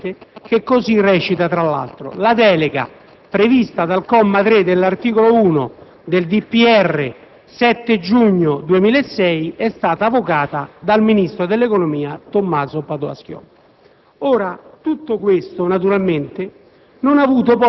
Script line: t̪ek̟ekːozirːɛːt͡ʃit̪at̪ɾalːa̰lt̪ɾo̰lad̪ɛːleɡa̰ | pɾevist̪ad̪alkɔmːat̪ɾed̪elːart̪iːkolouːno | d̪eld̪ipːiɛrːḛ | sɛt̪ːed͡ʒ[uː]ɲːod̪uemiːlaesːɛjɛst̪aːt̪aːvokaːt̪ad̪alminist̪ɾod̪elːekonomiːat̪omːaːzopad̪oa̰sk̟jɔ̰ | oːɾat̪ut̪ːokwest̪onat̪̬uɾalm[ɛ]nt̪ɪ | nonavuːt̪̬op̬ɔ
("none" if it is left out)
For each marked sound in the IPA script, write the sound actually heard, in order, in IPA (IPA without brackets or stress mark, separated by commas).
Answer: u, e